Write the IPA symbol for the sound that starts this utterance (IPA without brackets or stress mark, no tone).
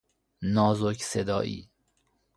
n